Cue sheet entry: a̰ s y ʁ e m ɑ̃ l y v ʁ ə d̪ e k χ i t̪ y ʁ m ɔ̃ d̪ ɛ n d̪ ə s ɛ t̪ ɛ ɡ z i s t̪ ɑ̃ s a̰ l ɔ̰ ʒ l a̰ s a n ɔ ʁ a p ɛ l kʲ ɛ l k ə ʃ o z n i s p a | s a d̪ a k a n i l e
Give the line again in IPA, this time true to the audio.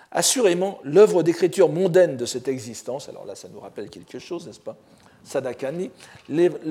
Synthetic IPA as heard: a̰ s y ʁ e m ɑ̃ l œ v ʁ ə d̪ e k χ i t̪ y ʁ m ɔ̃ d̪ ɛ n d̪ ə s ɛ t̪ ɛ ɡ z i s t̪ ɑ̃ s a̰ l ɔ̰ ʁ l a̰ s a n u ʁ a p ɛ l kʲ ɛ l k ə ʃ o z n ɛ s p a | s a d̪ a k a n i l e